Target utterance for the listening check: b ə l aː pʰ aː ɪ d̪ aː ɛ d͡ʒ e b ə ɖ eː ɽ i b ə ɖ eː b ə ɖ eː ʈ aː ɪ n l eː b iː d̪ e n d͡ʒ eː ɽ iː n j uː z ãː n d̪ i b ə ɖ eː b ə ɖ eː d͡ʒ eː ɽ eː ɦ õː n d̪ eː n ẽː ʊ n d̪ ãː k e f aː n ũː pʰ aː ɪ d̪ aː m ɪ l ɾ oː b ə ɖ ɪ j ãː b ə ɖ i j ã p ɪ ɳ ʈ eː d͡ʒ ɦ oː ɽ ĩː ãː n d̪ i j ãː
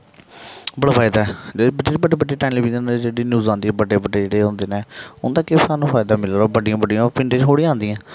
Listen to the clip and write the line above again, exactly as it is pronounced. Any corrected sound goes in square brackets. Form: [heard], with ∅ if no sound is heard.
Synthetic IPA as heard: b ə [ɽ] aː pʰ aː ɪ d̪ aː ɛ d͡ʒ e b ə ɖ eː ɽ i b ə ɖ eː b ə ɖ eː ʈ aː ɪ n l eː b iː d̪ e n d͡ʒ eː ɽ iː n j uː z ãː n d̪ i b ə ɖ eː b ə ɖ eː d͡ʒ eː ɽ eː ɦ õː n d̪ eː n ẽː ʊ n d̪ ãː k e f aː n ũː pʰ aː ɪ d̪ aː m ɪ l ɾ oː b ə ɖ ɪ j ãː b ə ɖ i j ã p ɪ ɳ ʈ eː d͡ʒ ɦ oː ɽ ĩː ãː n d̪ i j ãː